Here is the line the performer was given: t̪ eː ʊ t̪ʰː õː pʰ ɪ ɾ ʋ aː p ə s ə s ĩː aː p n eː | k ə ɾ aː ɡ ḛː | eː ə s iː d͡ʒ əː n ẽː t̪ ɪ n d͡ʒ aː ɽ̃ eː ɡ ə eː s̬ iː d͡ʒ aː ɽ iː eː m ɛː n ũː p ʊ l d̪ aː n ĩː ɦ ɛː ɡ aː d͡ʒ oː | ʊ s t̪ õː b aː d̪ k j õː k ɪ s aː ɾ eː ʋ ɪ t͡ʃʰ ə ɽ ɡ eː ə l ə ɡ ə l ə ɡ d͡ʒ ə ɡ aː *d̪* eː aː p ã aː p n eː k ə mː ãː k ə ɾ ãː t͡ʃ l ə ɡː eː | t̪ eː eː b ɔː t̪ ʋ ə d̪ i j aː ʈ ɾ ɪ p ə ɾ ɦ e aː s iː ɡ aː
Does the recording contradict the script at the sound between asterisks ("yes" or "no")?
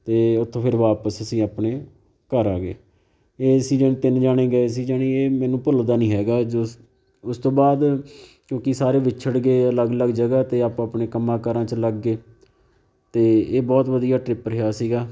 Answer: yes